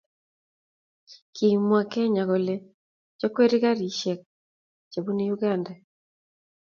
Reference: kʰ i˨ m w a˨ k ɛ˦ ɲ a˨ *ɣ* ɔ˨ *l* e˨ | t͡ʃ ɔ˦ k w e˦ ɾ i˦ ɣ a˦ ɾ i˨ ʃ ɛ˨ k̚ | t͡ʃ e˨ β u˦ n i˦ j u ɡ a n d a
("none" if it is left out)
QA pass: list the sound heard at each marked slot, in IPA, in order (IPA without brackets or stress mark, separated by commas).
ɣ, l